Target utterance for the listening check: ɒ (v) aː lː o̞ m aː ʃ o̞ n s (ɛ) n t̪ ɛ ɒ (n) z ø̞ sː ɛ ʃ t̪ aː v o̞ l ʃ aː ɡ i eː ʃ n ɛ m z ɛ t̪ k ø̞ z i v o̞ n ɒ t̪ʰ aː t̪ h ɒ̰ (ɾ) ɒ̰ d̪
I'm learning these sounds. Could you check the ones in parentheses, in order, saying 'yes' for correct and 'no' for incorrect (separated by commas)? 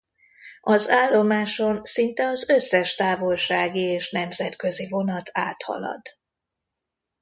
no, no, no, no